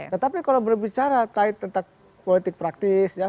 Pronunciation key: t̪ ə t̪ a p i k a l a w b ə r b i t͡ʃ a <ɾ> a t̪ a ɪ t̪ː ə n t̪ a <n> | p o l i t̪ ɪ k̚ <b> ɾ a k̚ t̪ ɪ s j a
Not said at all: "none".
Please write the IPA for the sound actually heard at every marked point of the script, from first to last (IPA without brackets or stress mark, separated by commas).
ɾ, ŋ, p